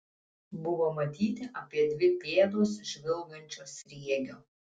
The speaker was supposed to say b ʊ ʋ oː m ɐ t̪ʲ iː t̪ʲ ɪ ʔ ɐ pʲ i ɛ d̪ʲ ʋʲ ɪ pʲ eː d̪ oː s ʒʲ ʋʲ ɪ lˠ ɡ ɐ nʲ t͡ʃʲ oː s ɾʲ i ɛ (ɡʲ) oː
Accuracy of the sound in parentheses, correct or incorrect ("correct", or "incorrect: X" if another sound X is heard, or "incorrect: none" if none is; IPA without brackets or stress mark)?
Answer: correct